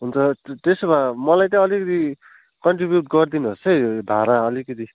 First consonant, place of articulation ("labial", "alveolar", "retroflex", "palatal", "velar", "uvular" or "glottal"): glottal